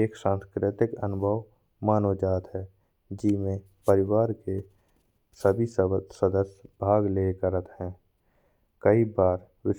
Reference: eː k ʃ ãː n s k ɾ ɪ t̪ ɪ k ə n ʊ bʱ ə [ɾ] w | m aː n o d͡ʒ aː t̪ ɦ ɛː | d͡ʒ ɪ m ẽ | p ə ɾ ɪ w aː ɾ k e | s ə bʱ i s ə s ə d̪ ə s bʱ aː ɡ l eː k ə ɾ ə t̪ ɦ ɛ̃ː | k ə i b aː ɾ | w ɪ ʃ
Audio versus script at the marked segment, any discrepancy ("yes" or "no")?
yes